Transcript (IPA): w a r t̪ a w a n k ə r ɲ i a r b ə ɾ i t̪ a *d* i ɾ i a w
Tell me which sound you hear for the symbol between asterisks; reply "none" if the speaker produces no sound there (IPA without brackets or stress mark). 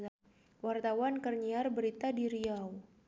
d